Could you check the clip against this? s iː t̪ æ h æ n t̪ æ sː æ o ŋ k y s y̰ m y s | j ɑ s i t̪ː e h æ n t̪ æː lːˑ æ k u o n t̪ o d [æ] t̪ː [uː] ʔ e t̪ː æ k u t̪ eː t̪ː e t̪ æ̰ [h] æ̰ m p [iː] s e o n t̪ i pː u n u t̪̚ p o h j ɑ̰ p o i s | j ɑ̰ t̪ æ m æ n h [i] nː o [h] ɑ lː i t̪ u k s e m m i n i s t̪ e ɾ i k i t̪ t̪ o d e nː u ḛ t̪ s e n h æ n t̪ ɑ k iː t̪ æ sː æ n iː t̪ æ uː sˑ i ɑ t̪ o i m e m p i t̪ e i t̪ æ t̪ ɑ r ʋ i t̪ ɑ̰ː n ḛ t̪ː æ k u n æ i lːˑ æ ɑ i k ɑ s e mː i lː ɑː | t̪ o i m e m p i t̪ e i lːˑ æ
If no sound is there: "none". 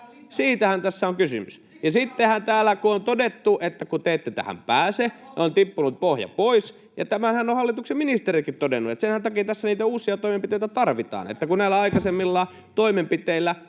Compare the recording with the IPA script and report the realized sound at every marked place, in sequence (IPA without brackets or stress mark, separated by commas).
e, u, h, æː, æ, h